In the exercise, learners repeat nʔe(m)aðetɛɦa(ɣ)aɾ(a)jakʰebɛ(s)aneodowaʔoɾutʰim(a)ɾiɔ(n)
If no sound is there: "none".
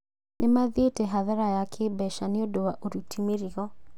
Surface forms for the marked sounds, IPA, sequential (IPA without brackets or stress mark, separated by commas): m, ð, a, ʃ, e, none